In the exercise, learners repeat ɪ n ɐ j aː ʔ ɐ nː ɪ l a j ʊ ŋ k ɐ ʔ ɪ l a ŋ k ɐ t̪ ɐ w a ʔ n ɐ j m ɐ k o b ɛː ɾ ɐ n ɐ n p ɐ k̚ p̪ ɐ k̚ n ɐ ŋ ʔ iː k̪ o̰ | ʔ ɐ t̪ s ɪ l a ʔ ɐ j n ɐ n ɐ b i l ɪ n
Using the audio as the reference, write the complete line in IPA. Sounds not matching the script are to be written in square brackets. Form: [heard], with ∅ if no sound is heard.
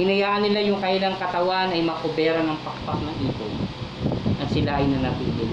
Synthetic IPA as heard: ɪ n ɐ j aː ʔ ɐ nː ɪ l a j ʊ ŋ k ɐ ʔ ɪ l a ŋ k ɐ t̪ ɐ w a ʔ n ɐ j m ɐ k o b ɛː ɾ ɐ n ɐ [ŋ] p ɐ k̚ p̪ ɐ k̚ n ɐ ŋ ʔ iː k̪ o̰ | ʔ ɐ t̪ s ɪ l a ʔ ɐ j n ɐ n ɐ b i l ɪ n